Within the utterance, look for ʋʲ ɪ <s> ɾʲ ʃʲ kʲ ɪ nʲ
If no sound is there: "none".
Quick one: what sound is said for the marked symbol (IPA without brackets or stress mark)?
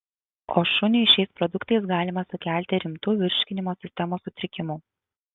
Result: none